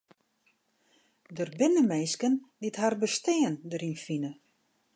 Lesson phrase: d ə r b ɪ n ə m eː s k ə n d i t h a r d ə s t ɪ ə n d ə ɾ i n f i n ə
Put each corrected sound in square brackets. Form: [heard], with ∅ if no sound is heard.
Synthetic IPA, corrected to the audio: d ə r b ɪ n ə m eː s k ə n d i t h a r [b] ə s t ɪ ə n d ə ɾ i n f i n ə

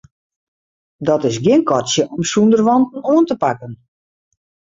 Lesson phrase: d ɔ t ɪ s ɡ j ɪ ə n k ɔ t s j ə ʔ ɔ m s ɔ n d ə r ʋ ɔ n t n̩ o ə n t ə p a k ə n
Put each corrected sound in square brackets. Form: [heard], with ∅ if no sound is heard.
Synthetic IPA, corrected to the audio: d ɔ t ɪ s ɡ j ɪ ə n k ɔ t s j ə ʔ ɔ m s [u] n d ə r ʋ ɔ n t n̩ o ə n t ə p a k ə n

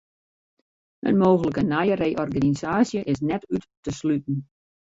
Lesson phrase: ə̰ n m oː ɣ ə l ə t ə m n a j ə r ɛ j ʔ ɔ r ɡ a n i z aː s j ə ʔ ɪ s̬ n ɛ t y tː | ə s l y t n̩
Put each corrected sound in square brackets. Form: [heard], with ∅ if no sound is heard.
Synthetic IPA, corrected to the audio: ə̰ n m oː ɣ ə l ə [k] ə [∅] n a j ə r [e] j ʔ ɔ r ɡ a n i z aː s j ə ʔ ɪ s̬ n ɛ t y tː | ə s l y t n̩

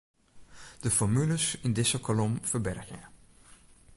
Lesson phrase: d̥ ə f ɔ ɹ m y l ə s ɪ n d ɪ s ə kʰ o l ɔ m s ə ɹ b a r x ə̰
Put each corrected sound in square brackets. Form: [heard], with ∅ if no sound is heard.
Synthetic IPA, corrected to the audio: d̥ ə f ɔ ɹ m y l ə s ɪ n d ɪ s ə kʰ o l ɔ m [f] ə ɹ b [ɛ] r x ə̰

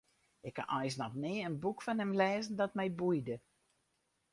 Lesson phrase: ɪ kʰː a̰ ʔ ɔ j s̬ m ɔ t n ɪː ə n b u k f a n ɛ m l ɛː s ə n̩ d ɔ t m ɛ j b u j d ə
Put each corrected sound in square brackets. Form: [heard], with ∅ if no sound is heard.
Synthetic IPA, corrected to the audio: ɪ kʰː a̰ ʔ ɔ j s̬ [n] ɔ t n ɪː ə n b u k f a n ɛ m l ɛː [z] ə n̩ d ɔ t m ɛ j b u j d ə

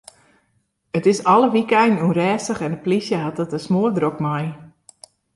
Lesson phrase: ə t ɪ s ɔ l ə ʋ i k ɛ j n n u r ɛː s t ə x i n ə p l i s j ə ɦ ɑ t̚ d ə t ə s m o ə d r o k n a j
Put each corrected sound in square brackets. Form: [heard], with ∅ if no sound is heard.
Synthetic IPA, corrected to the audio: ə t ɪ s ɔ l ə ʋ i k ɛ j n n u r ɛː s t ə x [ɛ] n ə p l i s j ə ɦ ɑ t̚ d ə t ə s m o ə d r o k [m] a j

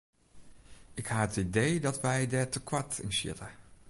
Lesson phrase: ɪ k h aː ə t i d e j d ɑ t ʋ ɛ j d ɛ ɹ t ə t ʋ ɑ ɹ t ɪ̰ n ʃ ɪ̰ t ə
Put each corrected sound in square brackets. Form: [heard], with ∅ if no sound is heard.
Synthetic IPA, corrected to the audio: ɪ k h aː ə t i d e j d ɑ t ʋ ɛ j d ɛ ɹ t ə [k] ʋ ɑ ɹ t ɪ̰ n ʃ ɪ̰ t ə

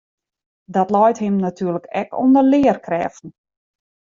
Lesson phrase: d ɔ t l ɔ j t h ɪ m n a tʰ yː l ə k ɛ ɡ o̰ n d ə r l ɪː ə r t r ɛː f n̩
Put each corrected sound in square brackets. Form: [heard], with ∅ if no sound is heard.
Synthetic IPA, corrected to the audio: d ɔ t l ɔ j t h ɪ m n a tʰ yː l ə k ɛ [k] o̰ n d ə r l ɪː ə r [k] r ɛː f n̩

